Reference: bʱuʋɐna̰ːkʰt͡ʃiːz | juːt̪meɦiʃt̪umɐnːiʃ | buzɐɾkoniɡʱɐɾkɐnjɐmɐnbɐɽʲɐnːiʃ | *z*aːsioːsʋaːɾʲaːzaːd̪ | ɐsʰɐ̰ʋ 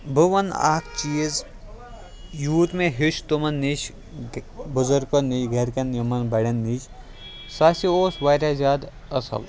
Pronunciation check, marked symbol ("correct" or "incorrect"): incorrect